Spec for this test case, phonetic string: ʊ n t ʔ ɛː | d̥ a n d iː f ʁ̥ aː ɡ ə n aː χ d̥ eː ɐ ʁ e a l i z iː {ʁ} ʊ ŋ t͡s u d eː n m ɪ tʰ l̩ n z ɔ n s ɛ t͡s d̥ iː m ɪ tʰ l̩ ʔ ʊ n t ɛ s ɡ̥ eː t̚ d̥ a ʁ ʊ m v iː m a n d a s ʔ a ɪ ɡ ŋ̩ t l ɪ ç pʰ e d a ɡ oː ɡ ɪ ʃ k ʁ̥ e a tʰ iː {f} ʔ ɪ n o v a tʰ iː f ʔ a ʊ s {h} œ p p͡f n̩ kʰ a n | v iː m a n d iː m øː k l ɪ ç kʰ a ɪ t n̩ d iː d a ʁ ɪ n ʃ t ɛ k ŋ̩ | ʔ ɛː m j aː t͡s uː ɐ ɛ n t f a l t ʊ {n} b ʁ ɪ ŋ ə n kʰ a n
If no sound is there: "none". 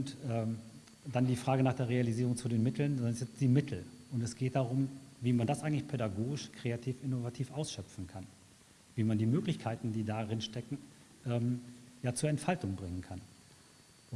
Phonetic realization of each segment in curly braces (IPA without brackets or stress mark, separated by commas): ʁ, f, ʃ, ŋ